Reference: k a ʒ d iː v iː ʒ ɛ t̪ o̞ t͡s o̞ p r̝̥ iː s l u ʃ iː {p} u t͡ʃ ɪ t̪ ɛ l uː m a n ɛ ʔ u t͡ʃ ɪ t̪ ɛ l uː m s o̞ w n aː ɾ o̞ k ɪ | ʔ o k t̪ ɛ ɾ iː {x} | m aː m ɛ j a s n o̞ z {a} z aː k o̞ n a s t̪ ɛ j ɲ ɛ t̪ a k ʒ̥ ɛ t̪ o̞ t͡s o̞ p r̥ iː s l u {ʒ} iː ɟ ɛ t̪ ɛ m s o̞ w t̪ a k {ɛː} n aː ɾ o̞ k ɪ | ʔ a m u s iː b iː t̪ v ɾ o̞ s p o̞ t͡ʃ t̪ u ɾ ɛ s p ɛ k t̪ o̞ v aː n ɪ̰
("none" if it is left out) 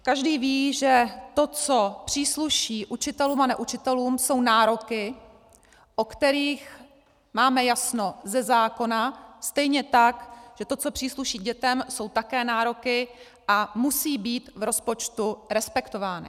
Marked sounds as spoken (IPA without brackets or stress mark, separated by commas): ʔ, x, ɛ, ʃ, ɛː